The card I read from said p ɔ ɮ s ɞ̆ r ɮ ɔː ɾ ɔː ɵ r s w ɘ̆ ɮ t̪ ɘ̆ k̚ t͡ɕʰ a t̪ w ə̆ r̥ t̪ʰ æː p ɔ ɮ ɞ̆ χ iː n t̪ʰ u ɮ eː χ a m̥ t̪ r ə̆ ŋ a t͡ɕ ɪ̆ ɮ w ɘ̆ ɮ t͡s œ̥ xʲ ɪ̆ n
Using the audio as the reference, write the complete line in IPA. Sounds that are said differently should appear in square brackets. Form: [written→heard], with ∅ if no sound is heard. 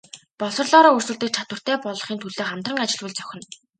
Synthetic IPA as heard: p ɔ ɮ s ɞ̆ r ɮ ɔː ɾ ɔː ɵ r s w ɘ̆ ɮ t̪ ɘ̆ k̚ t͡ɕʰ a t̪ w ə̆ r̥ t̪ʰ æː p ɔ ɮ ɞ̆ χ iː n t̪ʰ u ɮ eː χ a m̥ t̪ r ə̆ ŋ a t͡ɕ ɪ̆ ɮ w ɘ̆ ɮ t͡s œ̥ xʲ ɪ̆ n